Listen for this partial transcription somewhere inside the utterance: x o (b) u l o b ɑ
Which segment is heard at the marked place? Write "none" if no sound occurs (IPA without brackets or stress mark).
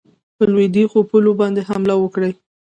p